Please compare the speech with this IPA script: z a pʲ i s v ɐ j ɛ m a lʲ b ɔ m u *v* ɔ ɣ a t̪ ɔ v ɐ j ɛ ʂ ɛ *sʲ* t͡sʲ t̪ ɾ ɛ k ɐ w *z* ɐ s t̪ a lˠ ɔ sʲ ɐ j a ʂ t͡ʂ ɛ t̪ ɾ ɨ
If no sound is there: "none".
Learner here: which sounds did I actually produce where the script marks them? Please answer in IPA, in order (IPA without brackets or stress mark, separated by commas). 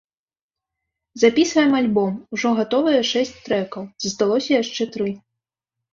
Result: ʐ, sʲ, z